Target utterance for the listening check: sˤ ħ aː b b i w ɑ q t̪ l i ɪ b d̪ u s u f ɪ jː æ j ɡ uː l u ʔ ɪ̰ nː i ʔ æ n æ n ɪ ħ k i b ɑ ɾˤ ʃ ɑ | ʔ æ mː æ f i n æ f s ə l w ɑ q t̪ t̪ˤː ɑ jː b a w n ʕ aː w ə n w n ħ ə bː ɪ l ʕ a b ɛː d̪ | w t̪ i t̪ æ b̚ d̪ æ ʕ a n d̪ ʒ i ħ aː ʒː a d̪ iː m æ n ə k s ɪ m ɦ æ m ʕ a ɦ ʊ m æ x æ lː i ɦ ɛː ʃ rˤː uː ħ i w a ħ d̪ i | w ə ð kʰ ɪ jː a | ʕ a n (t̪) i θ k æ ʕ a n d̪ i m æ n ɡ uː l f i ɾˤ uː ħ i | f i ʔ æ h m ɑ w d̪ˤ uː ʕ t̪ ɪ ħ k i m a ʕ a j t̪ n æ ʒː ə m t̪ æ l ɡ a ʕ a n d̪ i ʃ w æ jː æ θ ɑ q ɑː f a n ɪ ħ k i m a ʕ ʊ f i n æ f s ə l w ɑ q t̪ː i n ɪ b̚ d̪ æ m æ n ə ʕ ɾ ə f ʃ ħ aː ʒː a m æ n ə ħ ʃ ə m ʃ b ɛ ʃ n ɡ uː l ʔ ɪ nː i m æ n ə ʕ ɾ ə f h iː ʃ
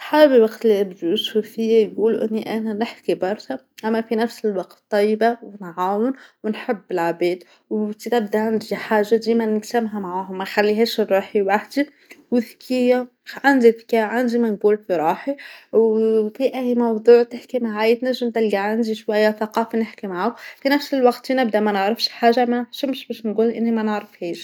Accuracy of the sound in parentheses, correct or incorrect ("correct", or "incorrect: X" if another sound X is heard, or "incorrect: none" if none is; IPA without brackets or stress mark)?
incorrect: d̪